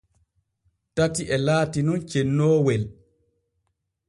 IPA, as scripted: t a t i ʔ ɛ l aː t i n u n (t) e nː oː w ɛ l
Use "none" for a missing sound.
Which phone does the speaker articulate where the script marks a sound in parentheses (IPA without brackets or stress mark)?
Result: t͡ʃ